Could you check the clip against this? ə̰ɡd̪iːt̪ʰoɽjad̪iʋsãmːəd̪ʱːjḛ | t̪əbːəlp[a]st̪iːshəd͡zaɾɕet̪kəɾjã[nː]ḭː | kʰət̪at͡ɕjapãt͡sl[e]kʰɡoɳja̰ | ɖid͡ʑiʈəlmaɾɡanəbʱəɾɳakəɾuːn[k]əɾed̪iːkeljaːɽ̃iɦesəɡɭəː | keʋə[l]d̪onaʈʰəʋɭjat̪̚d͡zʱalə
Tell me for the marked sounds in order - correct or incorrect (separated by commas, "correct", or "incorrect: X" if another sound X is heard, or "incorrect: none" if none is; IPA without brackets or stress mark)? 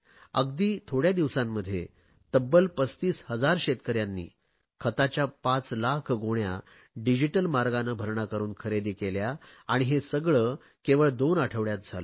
incorrect: ə, correct, incorrect: a, incorrect: kʰ, incorrect: ɭ